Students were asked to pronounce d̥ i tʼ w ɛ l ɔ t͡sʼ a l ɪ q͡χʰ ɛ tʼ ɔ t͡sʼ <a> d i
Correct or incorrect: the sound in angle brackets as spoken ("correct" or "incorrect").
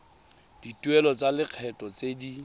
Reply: incorrect